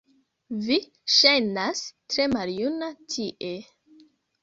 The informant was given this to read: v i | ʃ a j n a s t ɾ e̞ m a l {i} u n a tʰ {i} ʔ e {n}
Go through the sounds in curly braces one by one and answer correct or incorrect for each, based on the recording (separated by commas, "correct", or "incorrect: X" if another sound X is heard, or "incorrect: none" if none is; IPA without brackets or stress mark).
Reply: incorrect: j, correct, incorrect: none